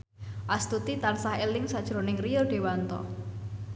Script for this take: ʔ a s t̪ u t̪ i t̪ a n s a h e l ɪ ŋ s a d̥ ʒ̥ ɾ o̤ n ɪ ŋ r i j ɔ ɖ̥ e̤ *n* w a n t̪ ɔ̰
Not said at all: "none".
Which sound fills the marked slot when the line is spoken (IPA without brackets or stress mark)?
none